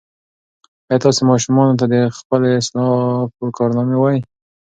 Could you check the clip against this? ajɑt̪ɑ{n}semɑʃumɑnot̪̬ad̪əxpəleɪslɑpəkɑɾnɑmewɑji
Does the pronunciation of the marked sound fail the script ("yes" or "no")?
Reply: yes